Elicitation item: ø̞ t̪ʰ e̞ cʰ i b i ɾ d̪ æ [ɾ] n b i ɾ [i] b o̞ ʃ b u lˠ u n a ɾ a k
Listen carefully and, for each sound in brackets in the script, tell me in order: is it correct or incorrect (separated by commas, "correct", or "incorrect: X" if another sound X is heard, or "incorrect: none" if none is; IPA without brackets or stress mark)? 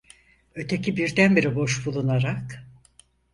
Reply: incorrect: none, correct